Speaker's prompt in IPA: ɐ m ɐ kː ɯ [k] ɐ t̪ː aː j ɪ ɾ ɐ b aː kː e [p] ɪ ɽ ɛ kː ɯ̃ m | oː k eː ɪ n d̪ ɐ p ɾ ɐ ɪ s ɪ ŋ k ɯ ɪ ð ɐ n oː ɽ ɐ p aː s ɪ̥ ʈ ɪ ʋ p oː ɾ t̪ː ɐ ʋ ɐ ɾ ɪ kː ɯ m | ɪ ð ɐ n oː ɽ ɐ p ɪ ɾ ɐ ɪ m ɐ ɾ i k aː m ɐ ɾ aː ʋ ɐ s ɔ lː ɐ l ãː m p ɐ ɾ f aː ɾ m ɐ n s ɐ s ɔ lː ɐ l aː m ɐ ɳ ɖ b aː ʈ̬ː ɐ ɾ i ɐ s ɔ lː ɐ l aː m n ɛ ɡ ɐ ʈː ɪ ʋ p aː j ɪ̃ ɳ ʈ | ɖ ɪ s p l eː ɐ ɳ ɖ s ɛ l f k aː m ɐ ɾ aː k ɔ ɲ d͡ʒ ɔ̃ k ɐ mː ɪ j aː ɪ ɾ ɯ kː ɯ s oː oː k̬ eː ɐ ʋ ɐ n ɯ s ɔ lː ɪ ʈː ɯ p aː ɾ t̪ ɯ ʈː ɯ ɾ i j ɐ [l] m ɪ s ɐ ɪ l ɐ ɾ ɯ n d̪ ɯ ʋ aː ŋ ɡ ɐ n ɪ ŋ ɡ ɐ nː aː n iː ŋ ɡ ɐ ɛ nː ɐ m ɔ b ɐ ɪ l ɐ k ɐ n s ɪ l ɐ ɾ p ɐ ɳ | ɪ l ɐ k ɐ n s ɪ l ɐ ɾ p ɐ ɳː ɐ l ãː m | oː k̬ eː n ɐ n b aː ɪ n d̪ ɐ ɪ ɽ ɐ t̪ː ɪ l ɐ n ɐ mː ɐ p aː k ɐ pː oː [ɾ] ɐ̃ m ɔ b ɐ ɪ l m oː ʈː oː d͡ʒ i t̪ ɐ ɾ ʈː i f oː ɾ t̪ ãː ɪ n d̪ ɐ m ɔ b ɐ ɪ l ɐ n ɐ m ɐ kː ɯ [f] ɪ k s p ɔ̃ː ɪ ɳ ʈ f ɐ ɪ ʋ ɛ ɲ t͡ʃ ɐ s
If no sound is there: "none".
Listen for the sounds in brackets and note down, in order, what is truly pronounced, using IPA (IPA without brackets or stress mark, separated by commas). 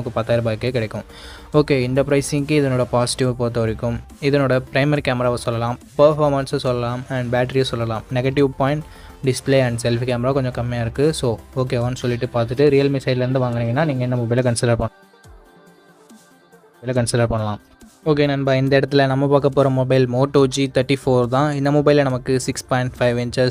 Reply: p, k, l, ɾ, s